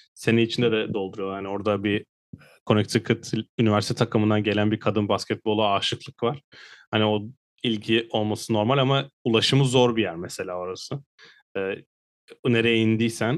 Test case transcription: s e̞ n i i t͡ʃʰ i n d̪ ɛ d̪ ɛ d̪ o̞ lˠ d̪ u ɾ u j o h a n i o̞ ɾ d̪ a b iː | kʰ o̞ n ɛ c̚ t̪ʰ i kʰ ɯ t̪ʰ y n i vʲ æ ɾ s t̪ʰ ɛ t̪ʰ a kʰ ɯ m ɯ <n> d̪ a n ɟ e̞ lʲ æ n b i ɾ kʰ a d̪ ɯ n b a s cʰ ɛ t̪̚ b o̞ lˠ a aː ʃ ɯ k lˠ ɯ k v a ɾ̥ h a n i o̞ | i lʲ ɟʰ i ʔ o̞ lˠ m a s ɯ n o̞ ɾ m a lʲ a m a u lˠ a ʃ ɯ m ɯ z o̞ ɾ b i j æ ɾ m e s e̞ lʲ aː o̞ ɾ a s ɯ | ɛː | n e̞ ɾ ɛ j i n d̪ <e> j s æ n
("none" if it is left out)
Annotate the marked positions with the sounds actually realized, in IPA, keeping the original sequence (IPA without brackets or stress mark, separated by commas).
n, i